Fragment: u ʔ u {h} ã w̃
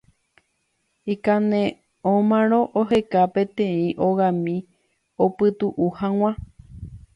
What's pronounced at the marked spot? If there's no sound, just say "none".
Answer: h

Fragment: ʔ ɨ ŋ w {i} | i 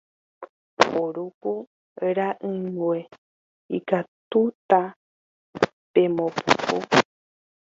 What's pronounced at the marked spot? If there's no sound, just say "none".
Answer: e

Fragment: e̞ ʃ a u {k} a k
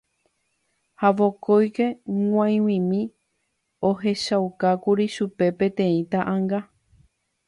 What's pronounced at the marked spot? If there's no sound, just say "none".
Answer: k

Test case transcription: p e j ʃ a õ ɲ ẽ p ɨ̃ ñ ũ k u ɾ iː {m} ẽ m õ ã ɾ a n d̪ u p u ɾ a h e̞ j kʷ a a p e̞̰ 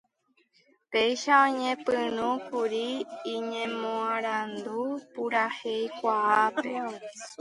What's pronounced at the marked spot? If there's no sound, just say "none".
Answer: ɲ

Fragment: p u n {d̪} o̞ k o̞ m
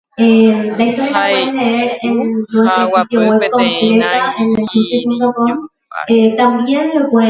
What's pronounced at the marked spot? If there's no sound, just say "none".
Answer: t̪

